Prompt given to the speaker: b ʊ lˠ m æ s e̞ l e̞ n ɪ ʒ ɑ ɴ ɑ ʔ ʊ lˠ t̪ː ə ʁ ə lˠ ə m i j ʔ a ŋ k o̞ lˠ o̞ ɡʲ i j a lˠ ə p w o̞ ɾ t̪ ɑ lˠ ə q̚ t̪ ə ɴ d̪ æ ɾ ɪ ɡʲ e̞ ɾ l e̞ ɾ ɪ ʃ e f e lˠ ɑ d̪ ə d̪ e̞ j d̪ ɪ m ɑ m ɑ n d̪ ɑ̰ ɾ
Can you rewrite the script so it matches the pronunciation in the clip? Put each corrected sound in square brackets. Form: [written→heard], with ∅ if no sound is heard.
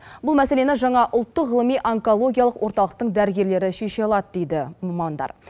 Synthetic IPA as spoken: b ʊ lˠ m æ s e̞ l e̞ n ɪ ʒ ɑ ɴ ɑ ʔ ʊ lˠ t̪ː ə ʁ ə lˠ ə m i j ʔ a ŋ k o̞ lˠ o̞ ɡʲ i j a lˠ ə [p→q] w o̞ ɾ t̪ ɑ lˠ ə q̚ t̪ ə ɴ d̪ æ ɾ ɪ ɡʲ e̞ ɾ l e̞ ɾ ɪ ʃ e [f→ʃ] e lˠ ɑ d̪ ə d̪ e̞ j d̪ ɪ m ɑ m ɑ n d̪ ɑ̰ ɾ